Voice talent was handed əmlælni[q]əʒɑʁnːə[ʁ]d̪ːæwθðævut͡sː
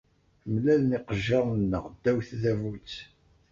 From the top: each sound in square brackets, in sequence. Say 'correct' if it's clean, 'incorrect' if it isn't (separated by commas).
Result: correct, correct